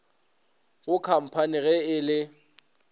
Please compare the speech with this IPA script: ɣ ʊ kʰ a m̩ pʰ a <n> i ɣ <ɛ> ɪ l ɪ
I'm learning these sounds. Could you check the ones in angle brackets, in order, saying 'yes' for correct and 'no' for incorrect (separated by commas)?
yes, yes